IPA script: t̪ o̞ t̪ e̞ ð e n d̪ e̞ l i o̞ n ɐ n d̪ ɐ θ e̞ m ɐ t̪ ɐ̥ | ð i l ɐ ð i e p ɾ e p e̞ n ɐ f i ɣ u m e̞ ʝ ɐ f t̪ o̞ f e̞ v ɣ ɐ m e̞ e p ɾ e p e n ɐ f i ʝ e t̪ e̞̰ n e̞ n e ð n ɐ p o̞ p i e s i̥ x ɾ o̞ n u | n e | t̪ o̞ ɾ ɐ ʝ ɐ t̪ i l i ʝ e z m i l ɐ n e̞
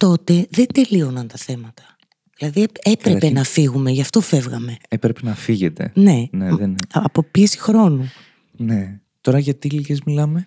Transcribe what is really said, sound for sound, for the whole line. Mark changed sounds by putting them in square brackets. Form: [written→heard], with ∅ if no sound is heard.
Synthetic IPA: t̪ o̞ t̪ e̞ ð e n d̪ e̞ l i o̞ n ɐ n [d̪→t̪] ɐ θ e̞ m ɐ t̪ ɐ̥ | ð i l ɐ ð i e p ɾ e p e̞ n ɐ f i ɣ u m e̞ ʝ ɐ f t̪ o̞ f e̞ v ɣ ɐ m e̞ e p ɾ e p e n ɐ f i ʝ e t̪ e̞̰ n e̞ n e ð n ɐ p o̞ p i e s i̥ x ɾ o̞ n u | n e | t̪ o̞ ɾ ɐ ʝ ɐ t̪ i l i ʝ e z m i l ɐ [n→m] e̞